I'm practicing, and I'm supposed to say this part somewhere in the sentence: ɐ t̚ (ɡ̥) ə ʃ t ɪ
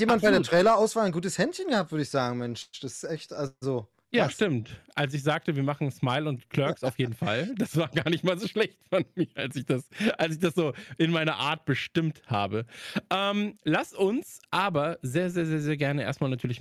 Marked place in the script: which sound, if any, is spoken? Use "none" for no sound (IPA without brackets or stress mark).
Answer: b̥